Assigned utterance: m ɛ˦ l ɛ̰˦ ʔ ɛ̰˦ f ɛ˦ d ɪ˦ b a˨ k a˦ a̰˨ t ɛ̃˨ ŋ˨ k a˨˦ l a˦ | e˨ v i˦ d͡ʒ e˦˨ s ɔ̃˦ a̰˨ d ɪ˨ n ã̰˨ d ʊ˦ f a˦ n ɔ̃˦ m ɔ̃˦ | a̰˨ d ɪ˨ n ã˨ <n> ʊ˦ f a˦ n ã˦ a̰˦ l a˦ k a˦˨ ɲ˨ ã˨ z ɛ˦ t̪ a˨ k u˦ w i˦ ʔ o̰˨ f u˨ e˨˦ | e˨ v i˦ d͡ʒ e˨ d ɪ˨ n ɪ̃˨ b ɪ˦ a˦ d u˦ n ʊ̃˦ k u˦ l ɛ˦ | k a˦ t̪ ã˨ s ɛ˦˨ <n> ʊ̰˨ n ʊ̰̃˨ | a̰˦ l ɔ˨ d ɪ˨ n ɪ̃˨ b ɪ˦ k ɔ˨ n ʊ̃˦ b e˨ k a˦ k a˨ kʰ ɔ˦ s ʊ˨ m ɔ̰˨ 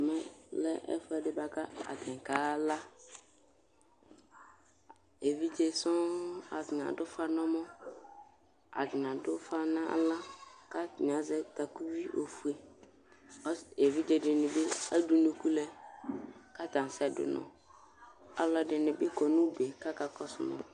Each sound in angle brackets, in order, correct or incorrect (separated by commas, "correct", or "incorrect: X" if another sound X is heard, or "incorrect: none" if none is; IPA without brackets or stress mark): incorrect: d, incorrect: d